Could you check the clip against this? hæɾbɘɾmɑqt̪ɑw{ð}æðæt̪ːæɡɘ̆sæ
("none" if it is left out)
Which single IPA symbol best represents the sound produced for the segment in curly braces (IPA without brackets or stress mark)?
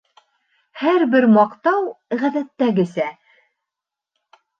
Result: ʁ